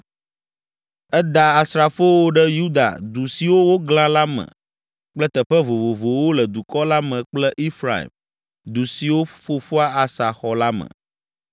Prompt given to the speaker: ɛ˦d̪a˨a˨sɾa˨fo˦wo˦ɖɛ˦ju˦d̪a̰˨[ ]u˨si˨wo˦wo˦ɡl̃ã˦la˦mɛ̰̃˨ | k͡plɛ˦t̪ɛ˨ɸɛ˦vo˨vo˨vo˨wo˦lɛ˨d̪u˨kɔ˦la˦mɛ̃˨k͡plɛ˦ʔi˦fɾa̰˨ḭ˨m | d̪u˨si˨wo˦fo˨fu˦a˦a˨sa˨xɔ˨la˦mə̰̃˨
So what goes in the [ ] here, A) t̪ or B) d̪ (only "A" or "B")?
B